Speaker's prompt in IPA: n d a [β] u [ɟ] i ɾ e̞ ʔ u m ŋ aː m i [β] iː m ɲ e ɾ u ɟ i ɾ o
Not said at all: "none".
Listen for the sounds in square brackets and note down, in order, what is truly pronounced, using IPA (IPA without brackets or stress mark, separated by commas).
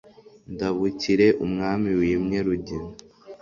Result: β, c, w